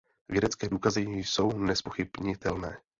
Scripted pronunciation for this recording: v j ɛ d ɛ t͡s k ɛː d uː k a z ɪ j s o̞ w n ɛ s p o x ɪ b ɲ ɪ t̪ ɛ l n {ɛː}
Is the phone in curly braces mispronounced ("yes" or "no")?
no